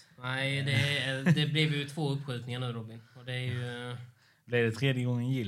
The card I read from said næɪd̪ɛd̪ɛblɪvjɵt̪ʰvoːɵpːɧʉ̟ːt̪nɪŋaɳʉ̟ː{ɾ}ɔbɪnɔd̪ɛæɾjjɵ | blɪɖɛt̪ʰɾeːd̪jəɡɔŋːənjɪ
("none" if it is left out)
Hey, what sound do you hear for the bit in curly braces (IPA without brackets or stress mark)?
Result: ɾ